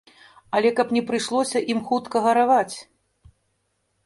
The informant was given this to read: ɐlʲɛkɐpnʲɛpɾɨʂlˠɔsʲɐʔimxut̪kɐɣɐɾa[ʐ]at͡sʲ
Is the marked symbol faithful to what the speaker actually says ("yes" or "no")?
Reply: no